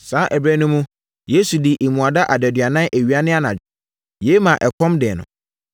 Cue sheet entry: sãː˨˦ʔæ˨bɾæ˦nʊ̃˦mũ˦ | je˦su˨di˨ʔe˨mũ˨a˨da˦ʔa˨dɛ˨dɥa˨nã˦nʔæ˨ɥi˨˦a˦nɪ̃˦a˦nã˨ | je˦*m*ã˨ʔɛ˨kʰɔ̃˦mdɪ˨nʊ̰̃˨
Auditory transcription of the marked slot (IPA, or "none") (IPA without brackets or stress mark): m